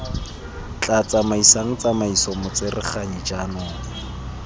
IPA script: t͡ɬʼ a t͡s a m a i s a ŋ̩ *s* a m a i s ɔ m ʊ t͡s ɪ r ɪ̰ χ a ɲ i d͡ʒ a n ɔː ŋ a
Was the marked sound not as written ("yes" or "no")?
yes